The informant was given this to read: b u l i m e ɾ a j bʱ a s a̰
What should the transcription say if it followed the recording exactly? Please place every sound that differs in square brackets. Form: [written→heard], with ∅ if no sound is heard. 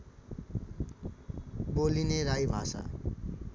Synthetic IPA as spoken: b [u→o] l i [m→n] e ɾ a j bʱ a s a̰